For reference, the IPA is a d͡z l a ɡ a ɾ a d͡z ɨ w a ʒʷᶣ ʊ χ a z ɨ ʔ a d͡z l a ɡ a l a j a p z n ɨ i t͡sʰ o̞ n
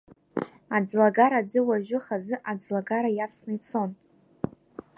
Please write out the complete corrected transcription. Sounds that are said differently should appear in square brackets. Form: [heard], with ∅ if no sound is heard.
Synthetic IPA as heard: a d͡z l a ɡ a ɾ a d͡z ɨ w a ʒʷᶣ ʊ χ a z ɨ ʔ a d͡z l a ɡ a [ɾ] a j a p [s] n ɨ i t͡sʰ o̞ n